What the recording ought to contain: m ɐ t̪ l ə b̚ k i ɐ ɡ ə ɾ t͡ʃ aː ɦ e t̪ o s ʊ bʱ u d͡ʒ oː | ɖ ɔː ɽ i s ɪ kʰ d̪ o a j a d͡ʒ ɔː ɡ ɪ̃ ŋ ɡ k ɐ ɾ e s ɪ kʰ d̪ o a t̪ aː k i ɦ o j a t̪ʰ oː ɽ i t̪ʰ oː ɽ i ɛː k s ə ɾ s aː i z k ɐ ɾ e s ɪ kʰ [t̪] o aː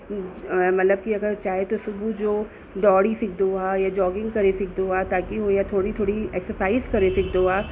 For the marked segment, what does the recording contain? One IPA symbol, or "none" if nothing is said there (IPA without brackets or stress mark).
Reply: d̪